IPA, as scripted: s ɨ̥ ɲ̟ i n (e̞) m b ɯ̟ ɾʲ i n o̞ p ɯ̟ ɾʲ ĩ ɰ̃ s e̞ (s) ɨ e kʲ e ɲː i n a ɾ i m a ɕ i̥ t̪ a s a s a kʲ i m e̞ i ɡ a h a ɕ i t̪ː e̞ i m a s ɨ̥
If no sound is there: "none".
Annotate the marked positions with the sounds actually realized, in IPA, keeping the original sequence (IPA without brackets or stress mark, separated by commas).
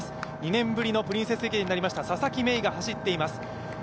ẽ̞, s